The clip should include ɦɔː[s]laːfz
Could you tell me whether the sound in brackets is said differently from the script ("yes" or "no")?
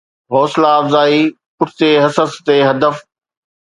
no